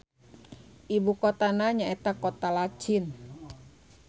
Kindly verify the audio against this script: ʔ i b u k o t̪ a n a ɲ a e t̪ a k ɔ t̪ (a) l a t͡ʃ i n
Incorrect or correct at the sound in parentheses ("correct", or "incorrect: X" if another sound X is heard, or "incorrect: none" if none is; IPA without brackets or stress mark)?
correct